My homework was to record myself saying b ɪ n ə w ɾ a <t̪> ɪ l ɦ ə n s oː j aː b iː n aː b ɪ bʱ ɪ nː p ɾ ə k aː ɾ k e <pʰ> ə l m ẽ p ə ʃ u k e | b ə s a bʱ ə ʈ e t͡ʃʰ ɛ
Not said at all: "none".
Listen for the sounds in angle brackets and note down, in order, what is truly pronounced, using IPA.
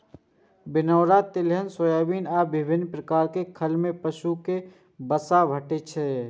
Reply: t̪, kʰ

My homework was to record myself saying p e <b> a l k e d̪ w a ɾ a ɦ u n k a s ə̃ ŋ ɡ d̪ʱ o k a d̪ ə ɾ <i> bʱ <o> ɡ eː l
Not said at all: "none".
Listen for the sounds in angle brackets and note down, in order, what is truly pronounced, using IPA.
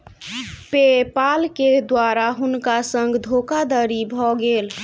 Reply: p, i, ɔ

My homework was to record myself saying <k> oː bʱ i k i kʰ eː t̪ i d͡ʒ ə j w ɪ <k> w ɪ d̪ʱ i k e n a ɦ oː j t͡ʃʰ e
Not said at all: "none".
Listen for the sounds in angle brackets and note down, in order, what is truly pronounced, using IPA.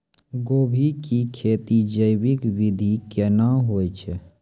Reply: ɡ, k

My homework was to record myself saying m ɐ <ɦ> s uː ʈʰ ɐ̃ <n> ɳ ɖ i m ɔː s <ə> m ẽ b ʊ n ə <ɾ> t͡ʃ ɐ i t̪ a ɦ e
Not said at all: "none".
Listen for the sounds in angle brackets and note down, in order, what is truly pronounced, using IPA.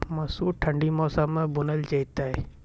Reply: none, none, a, l

